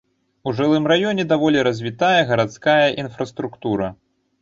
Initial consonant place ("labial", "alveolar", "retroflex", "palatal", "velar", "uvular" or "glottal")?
retroflex